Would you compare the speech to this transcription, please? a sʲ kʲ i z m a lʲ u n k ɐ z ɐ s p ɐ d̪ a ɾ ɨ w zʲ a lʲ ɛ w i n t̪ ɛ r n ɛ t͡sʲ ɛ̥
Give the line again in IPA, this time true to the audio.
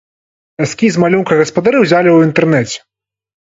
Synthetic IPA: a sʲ kʲ i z m a lʲ u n k ɐ ɣ ɐ s p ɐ d̪ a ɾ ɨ w zʲ a lʲ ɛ w i n t̪ ɛ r n ɛ t͡sʲ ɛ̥